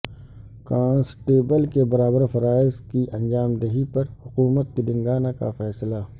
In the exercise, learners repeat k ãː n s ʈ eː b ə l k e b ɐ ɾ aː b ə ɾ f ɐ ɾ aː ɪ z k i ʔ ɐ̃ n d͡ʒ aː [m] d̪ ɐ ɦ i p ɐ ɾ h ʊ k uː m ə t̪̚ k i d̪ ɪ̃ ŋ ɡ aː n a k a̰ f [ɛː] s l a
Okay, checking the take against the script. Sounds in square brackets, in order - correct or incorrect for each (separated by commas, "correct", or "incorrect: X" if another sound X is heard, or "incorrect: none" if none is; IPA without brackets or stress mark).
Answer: correct, correct